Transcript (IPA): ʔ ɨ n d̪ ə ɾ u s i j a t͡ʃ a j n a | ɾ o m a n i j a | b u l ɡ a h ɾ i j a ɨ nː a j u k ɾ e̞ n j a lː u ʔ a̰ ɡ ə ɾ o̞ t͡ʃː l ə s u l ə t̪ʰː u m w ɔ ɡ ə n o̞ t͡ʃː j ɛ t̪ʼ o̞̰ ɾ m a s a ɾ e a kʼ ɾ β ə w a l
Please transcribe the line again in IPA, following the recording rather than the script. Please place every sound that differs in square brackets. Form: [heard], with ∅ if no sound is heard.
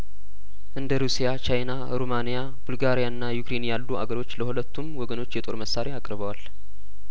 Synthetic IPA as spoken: ʔ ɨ n d̪ ə ɾ u s i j a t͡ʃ a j n a | ɾ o m a n i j a | b u l ɡ a [∅] ɾ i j a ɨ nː a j u k ɾ e̞ n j a lː u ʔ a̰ ɡ ə ɾ o̞ t͡ʃː l ə [h] u l ə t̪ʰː u m w ɔ ɡ ə n o̞ t͡ʃː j ɛ t̪ʼ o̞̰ ɾ m [ə] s a ɾ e a kʼ ɾ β ə w a l